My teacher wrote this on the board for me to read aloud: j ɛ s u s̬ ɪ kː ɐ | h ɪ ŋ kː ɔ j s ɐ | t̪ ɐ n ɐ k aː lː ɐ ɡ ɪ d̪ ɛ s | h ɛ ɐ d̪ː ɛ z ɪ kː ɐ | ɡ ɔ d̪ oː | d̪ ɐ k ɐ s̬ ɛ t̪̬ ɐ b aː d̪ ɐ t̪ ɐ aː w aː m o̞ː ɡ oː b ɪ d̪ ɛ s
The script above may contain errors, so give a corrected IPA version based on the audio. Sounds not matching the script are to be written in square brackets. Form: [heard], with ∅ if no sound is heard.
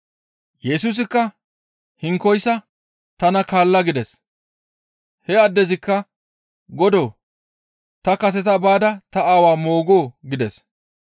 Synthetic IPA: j ɛ s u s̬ ɪ kː ɐ | h ɪ ŋ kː ɔ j s ɐ | t̪ ɐ n ɐ k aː lː ɐ ɡ ɪ d̪ ɛ s | h ɛ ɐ d̪ː ɛ z ɪ kː ɐ | ɡ ɔ d̪ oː | [t̪] ɐ k ɐ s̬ ɛ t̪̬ ɐ b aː d̪ ɐ t̪ ɐ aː w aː m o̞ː ɡ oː [ɡ] ɪ d̪ ɛ s